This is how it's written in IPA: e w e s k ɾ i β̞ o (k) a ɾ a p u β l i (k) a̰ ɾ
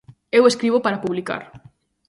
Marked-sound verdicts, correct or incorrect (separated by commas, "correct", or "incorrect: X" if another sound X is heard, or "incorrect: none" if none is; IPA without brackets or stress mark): incorrect: p, correct